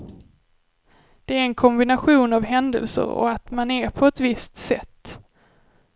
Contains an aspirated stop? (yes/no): yes